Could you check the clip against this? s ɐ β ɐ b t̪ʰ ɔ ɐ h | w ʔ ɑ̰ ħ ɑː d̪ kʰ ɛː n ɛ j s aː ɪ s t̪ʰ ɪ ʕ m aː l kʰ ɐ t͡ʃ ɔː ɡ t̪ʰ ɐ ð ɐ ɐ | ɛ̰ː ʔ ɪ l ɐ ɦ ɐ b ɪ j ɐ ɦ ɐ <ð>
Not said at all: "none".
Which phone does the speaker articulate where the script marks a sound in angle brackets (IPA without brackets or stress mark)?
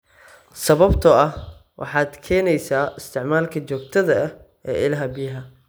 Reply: none